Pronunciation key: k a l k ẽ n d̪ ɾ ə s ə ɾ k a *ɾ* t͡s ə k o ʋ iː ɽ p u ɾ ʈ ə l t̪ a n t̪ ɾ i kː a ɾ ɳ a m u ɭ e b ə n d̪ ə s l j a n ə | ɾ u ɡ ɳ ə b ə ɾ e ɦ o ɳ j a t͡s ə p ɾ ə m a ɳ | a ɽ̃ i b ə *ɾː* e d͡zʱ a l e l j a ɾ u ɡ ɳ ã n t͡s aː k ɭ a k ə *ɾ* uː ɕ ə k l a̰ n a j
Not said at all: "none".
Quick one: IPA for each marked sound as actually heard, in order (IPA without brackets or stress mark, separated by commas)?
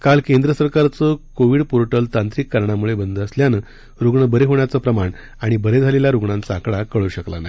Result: ɾ, ɾ, ɭ